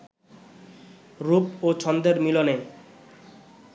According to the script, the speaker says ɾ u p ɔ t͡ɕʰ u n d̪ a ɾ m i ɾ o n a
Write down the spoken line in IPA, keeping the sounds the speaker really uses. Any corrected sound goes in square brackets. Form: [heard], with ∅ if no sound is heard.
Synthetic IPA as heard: ɾ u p [o] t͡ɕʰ [ɔ] n d̪ [e] ɾ m i [l] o n [e]